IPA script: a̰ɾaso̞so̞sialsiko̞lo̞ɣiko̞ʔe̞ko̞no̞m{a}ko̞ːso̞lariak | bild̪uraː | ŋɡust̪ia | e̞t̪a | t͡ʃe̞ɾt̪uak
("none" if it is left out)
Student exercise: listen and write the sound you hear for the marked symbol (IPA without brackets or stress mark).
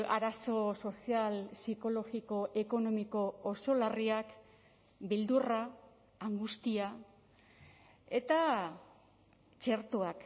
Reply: i